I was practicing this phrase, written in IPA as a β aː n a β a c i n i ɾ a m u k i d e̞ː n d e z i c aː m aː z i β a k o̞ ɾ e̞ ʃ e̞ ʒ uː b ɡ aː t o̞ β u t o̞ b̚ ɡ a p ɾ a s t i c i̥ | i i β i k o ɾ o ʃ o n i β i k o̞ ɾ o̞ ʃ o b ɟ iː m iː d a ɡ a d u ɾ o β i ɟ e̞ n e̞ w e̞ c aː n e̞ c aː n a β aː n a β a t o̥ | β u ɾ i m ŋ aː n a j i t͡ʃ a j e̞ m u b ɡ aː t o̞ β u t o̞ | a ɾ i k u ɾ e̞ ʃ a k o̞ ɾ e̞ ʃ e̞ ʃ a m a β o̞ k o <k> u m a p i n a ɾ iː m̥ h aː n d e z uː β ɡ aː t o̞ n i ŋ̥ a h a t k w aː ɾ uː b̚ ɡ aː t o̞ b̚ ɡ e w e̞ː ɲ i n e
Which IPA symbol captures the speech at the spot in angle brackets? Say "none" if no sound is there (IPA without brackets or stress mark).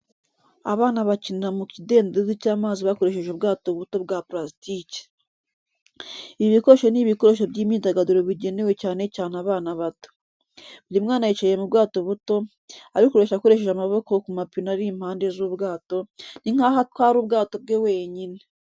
k